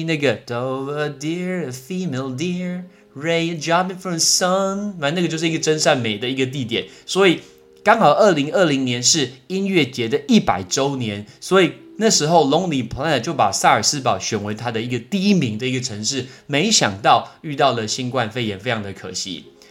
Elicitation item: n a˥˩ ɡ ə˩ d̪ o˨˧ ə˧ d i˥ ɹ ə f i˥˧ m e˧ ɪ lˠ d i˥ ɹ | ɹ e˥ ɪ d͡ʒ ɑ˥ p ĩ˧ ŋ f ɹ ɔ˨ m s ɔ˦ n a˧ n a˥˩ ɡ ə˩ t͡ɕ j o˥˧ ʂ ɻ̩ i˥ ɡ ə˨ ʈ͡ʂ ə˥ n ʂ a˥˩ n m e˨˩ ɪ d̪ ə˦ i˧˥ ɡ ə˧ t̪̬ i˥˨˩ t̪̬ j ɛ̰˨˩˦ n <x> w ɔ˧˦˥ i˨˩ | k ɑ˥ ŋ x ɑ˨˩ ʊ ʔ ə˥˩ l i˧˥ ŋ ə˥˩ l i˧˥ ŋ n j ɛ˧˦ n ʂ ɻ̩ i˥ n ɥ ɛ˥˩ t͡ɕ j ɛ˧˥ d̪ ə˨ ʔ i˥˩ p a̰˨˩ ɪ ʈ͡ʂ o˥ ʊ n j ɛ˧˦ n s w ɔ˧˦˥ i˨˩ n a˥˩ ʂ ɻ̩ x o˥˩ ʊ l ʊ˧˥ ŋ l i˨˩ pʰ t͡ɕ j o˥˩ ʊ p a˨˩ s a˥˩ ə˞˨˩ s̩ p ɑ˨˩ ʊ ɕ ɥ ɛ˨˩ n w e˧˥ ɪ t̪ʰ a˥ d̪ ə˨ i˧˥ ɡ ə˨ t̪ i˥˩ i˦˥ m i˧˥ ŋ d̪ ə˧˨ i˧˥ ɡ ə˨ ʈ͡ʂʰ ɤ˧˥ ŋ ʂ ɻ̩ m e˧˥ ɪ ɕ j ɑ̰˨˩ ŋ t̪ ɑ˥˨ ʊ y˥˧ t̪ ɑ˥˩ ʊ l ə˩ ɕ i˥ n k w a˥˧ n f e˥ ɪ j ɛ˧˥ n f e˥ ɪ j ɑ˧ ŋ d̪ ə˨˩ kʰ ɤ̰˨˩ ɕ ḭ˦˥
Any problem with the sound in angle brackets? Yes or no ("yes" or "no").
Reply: yes